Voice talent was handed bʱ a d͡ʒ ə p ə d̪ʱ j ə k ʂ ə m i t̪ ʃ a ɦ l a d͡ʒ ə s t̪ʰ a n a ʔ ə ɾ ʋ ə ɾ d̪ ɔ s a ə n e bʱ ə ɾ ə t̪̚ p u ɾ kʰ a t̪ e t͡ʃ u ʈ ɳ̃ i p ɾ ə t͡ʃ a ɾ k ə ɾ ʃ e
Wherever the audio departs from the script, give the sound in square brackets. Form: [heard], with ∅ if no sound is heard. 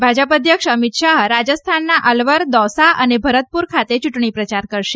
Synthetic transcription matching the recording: bʱ a d͡ʒ ə p ə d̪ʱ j ə k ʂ ə m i t̪ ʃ a ɦ [ɾ] a d͡ʒ ə s t̪ʰ a [nː] a ʔ ə [l] ʋ ə ɾ d̪ ɔ s a ə n e bʱ ə ɾ ə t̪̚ p u ɾ kʰ a t̪ e t͡ʃ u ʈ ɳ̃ i p ɾ ə t͡ʃ a ɾ k ə ɾ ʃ e

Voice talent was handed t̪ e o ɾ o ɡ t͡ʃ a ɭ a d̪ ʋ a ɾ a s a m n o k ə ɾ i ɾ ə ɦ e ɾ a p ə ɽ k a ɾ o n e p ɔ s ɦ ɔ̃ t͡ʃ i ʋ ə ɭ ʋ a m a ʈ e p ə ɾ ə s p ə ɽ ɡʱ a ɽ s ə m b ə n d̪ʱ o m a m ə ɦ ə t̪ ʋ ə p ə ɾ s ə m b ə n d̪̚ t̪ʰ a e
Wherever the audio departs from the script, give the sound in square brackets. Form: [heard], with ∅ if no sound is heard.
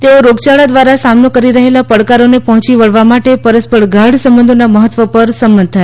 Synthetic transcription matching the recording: t̪ e o ɾ o ɡ t͡ʃ a ɭ a d̪ ʋ a ɾ a s a m n o k ə ɾ i ɾ ə ɦ e [l] a p ə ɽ k a ɾ o n e p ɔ [∅] ɦ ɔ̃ t͡ʃ i ʋ ə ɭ ʋ a m a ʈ e p ə ɾ ə s p ə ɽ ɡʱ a ɽ s ə m b ə n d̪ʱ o [n] a m ə ɦ ə t̪ ʋ ə p ə ɾ s ə m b ə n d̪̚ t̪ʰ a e

